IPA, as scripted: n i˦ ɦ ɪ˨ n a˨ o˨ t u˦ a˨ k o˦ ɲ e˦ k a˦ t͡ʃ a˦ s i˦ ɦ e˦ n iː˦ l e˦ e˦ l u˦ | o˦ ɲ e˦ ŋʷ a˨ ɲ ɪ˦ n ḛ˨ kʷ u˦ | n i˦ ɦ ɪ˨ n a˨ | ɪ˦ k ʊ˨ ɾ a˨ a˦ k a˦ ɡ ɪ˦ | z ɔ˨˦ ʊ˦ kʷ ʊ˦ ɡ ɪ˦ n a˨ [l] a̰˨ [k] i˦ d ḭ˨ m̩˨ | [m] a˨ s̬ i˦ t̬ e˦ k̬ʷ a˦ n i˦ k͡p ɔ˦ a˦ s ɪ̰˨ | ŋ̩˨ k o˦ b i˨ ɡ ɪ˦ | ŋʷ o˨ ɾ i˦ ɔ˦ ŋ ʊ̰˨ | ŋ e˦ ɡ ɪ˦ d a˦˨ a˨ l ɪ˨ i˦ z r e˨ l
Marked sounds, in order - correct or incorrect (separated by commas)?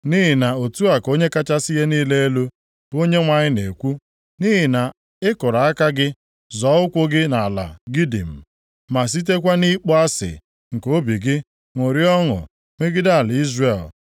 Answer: correct, incorrect, correct